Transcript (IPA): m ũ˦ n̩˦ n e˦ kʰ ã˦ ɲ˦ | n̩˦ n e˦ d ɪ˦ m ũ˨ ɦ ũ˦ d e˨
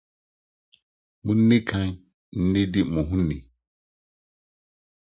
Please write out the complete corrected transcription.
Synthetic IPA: m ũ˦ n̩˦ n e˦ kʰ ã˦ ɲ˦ | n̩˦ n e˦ d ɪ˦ m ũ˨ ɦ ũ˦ n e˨